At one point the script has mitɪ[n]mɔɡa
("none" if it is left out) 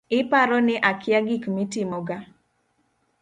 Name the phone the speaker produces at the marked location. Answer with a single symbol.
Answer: none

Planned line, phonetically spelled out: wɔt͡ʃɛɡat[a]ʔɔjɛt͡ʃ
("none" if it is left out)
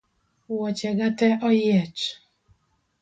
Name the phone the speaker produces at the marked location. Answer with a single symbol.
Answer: ɛ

